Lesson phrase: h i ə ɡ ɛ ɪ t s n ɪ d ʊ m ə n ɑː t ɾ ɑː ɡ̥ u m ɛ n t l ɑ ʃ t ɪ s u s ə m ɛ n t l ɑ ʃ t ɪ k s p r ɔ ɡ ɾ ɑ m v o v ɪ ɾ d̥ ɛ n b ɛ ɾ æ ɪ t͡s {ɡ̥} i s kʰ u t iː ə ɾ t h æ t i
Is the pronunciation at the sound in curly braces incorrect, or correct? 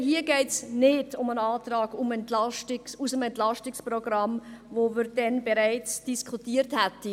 incorrect